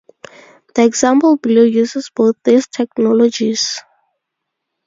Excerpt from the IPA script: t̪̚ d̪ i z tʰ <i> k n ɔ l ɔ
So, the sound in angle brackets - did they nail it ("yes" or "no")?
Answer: no